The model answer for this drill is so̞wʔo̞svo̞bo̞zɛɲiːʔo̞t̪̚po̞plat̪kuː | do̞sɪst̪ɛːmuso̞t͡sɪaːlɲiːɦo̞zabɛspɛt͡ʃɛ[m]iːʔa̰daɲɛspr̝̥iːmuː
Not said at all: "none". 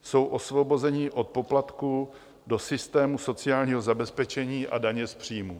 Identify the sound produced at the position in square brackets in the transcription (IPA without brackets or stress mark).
ɲ